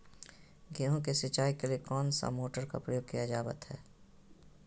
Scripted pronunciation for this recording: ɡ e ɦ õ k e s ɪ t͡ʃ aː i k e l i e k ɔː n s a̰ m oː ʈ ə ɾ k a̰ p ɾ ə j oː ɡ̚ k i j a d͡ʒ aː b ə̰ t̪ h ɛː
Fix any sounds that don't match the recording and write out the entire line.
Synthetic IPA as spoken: ɡ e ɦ õ k e s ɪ t͡ʃ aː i k e l i e k ɔː n s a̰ m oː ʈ ə ɾ k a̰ p ɾ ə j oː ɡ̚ k i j a d͡ʒ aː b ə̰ t̪ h ɛː